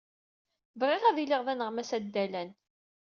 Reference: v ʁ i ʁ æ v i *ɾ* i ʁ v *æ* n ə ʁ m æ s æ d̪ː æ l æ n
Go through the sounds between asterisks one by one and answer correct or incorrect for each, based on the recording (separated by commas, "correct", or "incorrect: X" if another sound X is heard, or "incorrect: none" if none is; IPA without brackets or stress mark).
incorrect: l, correct